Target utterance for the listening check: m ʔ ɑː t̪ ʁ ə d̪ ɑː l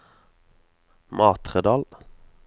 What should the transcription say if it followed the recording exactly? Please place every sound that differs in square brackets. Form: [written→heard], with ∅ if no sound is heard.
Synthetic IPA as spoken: m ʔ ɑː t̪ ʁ ə d̪ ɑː l